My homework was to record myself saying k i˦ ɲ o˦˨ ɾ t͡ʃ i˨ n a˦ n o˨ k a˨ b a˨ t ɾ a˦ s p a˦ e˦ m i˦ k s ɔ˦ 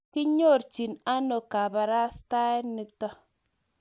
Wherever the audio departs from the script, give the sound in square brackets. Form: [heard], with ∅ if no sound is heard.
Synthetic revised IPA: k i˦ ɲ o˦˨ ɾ t͡ʃ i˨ n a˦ n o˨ k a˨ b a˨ [∅] ɾ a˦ s [t] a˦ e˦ [n] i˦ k [t] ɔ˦